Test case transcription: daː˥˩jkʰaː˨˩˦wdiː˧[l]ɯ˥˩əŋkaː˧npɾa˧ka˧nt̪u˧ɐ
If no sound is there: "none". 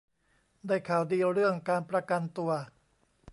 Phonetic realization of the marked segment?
ɾ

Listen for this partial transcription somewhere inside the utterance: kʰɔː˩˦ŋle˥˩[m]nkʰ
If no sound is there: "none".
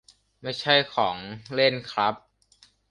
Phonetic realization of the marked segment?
none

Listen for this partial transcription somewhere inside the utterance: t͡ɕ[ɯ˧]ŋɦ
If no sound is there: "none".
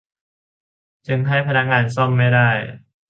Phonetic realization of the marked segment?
ɯ˧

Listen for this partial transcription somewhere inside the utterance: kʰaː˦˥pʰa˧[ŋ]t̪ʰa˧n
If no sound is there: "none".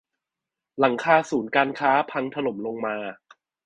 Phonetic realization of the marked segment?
ŋ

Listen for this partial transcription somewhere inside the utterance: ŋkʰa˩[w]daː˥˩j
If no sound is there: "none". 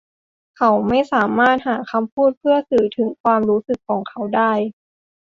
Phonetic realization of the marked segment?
w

